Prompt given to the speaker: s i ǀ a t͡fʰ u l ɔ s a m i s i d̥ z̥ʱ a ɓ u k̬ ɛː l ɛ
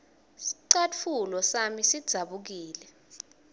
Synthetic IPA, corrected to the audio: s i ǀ a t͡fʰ u l ɔ s a m i s i d̥ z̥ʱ a ɓ u k̬ iː l ɛ